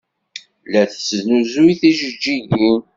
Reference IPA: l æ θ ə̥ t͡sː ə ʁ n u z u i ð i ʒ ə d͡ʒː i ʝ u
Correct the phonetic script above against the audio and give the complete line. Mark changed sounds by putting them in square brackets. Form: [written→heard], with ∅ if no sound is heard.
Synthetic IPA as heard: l æ θ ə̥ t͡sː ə [ʁ→z] n u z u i [ð→θ] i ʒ ə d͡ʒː i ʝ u